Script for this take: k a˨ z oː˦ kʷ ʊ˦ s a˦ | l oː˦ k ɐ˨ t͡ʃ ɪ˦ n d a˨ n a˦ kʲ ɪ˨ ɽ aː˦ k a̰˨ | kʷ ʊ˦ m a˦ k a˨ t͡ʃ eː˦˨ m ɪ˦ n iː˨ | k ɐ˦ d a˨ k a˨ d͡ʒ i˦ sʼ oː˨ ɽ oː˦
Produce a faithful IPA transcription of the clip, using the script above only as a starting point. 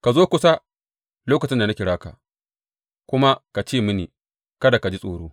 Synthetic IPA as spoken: k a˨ z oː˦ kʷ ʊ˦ s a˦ | l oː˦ k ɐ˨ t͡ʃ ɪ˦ n d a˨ n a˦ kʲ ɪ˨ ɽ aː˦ k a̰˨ | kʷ ʊ˦ m a˦ k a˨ t͡ʃ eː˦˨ m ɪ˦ n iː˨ | k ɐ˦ d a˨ k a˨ d͡ʒ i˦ sʼ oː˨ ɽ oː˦